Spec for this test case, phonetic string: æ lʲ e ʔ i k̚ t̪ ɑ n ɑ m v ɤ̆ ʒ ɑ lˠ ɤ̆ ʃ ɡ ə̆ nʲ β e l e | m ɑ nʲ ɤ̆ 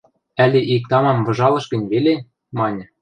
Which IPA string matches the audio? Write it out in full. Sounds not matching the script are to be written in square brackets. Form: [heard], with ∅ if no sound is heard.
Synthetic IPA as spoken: æ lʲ e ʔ i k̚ t̪ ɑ [m] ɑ m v ɤ̆ ʒ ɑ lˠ ɤ̆ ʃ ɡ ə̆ nʲ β e l e | m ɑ nʲ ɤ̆